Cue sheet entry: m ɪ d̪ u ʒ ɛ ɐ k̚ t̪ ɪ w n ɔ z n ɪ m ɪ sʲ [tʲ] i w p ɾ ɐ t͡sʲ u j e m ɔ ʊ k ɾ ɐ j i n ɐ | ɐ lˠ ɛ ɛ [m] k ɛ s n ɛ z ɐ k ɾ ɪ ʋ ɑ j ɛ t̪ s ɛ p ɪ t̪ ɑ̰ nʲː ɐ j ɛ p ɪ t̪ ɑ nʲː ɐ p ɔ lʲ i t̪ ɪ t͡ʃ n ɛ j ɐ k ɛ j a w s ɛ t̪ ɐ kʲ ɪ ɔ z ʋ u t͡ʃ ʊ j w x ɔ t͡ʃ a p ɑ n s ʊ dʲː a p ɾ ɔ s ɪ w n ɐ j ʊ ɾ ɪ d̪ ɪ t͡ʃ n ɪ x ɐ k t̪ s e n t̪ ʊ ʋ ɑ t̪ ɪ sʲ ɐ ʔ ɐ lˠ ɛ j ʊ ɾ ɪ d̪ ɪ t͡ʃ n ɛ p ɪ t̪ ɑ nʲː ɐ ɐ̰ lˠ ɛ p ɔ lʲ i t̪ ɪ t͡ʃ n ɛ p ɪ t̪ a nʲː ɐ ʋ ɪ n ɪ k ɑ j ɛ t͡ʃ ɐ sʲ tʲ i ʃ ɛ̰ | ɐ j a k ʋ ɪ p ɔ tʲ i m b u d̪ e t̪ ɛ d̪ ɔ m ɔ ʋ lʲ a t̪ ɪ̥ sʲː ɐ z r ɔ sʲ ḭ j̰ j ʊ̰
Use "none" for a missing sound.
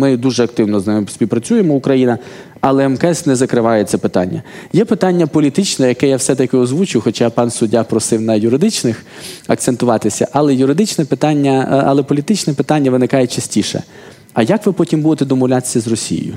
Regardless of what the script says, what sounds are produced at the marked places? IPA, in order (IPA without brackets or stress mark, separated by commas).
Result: pʲ, m